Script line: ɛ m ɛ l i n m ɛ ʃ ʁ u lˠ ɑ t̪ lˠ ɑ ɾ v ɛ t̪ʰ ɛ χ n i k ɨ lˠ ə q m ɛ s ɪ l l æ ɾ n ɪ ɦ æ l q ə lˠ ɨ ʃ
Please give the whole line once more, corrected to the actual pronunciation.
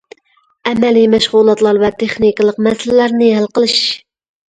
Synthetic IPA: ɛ m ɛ l i m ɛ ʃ ʁ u lˠ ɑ t̪ lˠ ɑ ɾ v ɛ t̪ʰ e χ n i k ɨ lˠ ə q m ɛ s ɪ l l æ ɾ n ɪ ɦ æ l q ə lˠ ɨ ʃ

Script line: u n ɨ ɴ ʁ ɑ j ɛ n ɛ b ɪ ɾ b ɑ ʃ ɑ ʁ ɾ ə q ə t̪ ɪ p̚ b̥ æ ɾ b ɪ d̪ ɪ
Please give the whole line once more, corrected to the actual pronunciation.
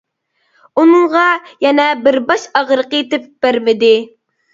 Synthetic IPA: u n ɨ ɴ ʁ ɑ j ɛ n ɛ b ɪ ɾ b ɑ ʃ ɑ ʁ ɾ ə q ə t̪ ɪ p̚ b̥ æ ɾ m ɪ d̪ ɪ

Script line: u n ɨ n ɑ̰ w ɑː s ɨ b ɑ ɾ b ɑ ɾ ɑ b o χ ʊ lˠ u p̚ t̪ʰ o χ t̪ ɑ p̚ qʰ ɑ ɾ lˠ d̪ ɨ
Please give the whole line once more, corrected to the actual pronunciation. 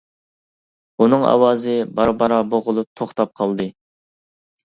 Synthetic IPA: u n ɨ ŋ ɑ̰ w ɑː z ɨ b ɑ ɾ b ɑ ɾ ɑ b o ʁ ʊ lˠ u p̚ t̪ʰ o χ t̪ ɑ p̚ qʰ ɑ lˠ d̪ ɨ

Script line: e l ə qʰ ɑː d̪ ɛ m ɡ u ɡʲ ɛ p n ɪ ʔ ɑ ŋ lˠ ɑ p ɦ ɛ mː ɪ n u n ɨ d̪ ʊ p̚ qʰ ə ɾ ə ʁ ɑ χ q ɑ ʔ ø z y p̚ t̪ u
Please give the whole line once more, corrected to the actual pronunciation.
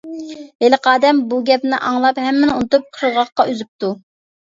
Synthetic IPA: e l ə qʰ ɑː d̪ ɛ m b u ɡʲ ɛ p n ɪ ʔ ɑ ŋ lˠ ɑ p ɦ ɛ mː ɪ n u n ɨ t̪ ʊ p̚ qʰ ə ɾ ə ʁ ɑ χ q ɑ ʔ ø z y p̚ t̪ u

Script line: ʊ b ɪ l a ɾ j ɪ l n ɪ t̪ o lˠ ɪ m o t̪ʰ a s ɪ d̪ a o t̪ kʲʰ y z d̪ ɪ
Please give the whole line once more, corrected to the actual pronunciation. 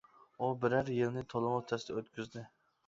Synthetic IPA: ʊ b ɪ ɾ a ɾ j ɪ l n ɪ t̪ʰ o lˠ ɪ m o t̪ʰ a s ɪ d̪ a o t̪ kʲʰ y z d̪ ɪ

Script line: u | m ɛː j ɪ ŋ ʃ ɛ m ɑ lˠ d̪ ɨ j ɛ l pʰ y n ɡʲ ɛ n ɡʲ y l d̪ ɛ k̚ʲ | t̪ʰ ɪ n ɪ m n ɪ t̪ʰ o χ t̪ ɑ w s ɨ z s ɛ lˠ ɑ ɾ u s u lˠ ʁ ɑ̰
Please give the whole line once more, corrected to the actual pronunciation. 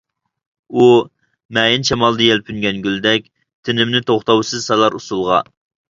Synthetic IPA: u | m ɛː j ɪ n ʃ ɛ m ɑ lˠ d̪ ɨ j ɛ l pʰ y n ɡʲ ɛ n ɡʲ y l d̪ ɛ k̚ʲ | t̪ʰ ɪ n ɪ m n ɪ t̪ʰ o χ t̪ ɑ w s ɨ z s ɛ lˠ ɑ ɾ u s u lˠ ʁ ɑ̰

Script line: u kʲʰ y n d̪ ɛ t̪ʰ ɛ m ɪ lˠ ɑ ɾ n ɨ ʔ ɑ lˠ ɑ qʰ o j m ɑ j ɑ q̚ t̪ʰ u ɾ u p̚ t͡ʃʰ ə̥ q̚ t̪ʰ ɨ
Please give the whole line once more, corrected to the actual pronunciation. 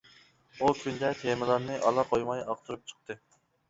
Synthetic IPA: u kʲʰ y n d̪ ɛ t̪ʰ e m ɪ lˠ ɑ ɾ n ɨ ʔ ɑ lˠ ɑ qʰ o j m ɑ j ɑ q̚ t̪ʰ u ɾ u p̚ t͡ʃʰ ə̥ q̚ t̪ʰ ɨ

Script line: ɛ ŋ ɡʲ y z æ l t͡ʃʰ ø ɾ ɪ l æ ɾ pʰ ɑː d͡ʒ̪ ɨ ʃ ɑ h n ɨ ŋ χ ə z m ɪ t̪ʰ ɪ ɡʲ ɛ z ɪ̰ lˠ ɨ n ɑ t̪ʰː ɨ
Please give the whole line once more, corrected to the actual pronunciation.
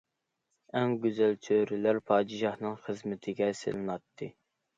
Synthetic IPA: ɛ ŋ ɡʲ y z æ l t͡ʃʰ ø ɾ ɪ l æ ɾ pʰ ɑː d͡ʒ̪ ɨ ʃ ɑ h n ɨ ŋ χ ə z m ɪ t̪ʰ ɪ ɡʲ ɛ s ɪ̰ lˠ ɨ n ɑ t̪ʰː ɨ

